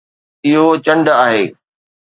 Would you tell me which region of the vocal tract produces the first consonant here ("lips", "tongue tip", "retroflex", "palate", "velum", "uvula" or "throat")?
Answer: throat